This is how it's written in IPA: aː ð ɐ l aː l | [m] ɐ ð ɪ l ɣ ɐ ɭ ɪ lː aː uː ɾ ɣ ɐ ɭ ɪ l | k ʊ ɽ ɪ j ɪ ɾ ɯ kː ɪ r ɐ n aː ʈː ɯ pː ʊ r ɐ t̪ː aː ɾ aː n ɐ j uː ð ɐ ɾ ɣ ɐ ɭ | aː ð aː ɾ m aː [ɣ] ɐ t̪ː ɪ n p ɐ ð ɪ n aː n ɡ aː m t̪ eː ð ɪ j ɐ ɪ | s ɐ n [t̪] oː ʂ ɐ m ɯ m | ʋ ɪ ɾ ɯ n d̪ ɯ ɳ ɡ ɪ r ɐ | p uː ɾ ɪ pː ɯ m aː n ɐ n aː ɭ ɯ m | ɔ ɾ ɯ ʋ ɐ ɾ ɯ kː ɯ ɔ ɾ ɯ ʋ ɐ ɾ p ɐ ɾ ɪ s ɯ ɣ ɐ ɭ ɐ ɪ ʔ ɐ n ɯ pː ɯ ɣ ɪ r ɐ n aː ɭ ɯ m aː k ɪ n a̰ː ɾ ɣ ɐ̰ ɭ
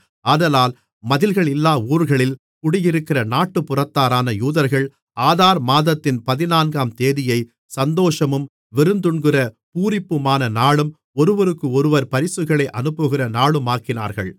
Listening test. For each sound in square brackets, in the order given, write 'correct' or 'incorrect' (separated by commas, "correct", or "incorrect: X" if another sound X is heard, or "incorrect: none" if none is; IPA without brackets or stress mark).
correct, incorrect: ð, incorrect: d̪